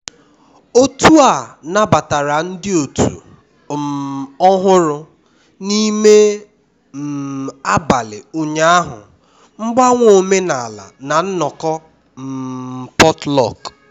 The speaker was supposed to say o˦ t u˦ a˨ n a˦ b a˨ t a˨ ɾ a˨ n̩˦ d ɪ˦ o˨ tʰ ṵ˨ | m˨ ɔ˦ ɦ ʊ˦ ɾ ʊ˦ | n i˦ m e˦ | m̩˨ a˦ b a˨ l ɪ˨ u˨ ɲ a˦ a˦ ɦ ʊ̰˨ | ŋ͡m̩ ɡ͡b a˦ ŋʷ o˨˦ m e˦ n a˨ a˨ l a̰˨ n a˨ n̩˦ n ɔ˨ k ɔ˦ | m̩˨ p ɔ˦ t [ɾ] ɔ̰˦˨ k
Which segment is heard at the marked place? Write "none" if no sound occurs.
l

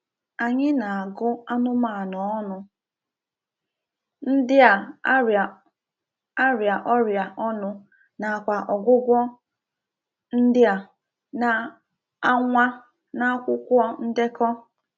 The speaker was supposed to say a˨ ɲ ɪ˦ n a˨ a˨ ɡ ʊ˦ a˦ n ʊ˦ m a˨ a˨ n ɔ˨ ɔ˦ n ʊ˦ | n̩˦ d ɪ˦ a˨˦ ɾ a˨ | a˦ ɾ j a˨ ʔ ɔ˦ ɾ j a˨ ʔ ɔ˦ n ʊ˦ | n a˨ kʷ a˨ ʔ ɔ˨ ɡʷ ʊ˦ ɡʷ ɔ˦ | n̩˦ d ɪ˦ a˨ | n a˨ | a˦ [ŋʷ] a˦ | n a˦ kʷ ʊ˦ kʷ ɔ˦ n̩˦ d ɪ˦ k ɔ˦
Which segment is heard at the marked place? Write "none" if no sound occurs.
ŋʷ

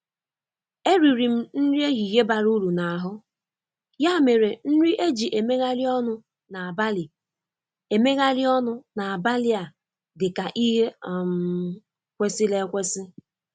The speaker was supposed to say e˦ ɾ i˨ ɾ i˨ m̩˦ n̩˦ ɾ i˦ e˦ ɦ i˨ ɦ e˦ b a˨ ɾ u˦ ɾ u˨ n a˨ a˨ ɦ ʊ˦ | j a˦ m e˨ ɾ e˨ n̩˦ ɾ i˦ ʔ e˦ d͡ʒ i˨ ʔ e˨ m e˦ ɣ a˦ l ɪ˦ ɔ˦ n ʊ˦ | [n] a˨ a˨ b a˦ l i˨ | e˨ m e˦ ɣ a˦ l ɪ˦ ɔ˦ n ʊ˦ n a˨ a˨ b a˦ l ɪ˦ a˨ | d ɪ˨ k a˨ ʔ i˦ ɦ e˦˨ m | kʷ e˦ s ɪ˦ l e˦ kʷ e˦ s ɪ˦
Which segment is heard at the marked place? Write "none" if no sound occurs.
n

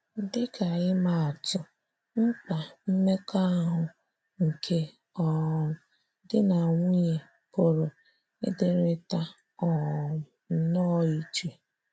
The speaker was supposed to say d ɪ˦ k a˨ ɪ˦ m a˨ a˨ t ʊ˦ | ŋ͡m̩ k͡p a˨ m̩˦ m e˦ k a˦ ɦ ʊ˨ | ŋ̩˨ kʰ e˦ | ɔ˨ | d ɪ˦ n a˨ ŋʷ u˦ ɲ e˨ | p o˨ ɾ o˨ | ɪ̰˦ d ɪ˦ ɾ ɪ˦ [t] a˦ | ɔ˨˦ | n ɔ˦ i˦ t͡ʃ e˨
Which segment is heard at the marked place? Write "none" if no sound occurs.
t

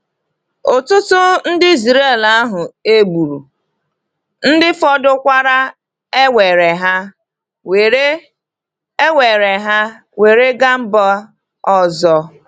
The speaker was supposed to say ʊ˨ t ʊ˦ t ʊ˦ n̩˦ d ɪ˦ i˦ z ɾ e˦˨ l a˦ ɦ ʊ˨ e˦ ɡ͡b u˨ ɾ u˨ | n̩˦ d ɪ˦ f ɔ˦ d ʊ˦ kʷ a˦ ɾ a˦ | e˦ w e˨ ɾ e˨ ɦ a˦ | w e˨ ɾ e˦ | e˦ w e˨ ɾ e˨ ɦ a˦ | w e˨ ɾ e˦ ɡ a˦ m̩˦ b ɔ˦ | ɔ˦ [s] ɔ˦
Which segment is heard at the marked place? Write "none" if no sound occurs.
z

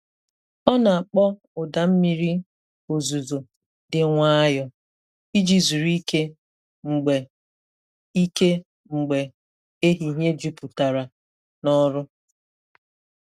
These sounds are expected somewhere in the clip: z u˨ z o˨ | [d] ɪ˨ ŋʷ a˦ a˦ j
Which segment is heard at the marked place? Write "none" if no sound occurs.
d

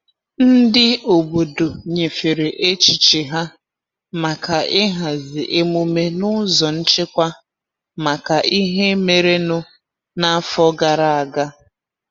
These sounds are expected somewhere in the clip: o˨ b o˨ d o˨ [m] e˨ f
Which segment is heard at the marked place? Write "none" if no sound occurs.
ɲ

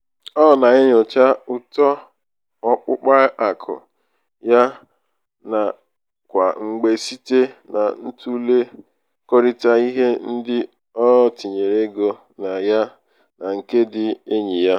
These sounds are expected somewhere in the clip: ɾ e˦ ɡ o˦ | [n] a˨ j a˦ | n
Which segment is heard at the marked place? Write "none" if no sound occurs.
n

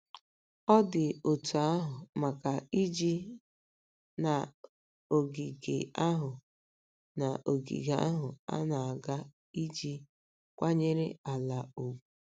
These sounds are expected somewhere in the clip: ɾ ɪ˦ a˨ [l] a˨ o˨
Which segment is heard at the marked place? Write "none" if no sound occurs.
l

